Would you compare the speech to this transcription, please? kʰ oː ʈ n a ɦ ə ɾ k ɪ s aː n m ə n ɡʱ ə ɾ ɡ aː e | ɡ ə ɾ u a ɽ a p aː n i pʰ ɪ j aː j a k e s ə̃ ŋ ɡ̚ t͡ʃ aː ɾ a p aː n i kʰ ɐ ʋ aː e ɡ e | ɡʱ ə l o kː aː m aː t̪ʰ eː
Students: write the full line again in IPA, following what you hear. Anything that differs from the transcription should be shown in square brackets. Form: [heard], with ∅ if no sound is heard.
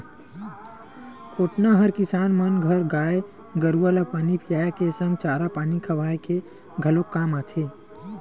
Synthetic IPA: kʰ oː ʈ n a ɦ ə ɾ k ɪ s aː n m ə n ɡʱ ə ɾ ɡ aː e | ɡ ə ɾ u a [l] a p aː n i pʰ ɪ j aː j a k e s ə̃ ŋ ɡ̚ t͡ʃ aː ɾ a p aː n i kʰ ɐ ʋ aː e [k] e | ɡʱ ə l o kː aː m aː t̪ʰ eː